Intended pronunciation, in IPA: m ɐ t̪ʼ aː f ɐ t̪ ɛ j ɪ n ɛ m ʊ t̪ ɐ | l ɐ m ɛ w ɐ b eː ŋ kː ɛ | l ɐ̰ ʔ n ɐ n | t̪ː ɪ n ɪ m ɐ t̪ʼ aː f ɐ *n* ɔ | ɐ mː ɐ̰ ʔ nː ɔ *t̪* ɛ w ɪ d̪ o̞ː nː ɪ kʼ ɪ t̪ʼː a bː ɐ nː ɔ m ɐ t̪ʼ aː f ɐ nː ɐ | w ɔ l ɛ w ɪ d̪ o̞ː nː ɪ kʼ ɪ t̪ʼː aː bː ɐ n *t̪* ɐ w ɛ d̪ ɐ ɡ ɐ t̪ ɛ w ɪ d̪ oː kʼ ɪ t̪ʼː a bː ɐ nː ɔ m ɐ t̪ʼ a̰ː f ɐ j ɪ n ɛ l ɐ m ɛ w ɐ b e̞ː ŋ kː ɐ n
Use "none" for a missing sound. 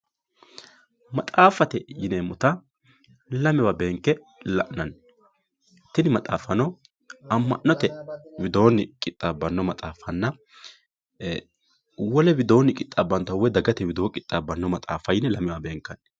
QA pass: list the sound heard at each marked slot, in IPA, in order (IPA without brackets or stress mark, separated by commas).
n, t̪, t̪